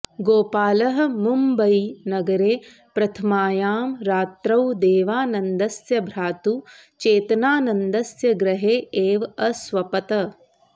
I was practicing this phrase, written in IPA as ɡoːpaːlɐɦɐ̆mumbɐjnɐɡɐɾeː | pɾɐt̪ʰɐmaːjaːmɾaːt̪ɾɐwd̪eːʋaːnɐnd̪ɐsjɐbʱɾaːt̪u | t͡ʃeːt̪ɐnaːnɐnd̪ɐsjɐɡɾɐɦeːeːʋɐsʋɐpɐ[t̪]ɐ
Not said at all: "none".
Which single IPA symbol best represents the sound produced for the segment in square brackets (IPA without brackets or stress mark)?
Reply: t̪